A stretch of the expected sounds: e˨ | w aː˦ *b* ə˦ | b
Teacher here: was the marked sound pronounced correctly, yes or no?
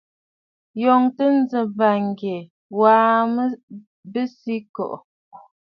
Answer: no